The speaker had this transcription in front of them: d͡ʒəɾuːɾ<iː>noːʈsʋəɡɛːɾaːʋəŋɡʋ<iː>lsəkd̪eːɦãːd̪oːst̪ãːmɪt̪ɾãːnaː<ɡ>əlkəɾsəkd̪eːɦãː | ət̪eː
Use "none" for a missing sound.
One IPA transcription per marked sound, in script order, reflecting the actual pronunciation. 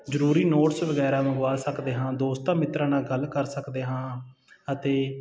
iː, aː, ɡ

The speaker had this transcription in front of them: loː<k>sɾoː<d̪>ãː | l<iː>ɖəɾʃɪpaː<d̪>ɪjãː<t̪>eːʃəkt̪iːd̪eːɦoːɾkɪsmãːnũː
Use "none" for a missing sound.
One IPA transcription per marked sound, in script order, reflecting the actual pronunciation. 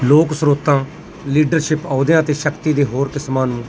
k, t̪, iː, d̪, t̪

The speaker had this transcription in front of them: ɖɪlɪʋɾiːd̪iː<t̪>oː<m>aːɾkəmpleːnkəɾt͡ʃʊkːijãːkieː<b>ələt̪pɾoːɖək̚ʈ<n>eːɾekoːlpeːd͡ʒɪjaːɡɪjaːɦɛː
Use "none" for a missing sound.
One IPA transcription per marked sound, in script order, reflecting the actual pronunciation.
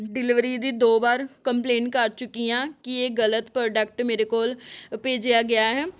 d̪, b, ɡ, m

